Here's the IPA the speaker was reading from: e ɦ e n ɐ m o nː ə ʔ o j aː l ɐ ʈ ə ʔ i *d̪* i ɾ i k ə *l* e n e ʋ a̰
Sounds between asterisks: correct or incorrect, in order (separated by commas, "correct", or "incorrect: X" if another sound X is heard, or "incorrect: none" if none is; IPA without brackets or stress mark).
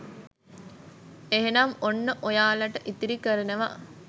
incorrect: t̪, incorrect: ɾ